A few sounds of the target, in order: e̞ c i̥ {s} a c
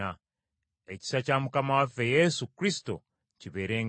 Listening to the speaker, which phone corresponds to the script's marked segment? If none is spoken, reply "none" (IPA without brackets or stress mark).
s